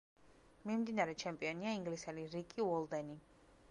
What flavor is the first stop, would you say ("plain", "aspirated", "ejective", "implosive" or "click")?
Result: plain